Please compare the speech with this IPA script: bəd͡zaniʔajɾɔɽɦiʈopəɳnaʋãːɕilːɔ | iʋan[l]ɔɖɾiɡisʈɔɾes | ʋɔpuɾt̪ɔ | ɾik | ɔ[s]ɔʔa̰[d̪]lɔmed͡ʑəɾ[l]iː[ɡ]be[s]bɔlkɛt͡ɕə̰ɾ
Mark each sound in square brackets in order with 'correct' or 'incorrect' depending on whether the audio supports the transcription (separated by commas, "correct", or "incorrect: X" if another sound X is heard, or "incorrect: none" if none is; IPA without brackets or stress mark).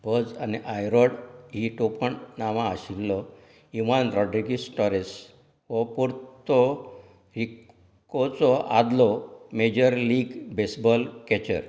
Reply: incorrect: ɾ, incorrect: t͡s, correct, correct, correct, correct